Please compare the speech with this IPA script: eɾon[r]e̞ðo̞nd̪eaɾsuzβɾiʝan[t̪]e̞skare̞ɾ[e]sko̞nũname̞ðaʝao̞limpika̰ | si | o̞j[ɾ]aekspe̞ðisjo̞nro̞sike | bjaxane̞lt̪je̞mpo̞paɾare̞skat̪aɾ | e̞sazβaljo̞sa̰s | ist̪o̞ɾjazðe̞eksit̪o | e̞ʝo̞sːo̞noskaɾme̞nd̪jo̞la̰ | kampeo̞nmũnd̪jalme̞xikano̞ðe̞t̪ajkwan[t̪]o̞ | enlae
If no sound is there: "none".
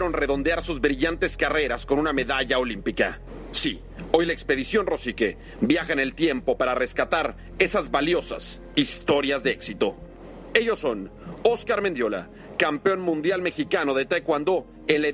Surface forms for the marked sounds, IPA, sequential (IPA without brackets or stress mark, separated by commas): r, t̪, a, l, d̪